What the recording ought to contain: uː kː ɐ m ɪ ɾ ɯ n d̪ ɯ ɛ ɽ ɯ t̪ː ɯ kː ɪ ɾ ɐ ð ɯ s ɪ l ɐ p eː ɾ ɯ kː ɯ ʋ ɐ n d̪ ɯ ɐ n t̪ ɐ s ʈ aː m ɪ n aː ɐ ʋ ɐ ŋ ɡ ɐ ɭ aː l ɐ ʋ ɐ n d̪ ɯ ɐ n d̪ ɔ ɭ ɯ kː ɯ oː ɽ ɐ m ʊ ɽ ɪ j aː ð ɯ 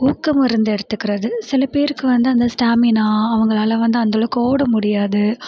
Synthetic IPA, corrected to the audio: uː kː ɐ m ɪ ɾ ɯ n d̪ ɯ ɛ ɽ ɯ t̪ː ɯ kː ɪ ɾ ɐ ð ɯ s ɪ l ɐ p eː ɾ ɯ kː ɯ ʋ ɐ n d̪ ɯ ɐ n d̪ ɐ s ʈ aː m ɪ n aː ɐ ʋ ɐ ŋ ɡ ɐ ɭ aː l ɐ ʋ ɐ n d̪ ɯ ɐ n d̪ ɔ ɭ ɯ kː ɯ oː ɽ ɐ m ʊ ɽ ɪ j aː ð ɯ